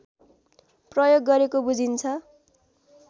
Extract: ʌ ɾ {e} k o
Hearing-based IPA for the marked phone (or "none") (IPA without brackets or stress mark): e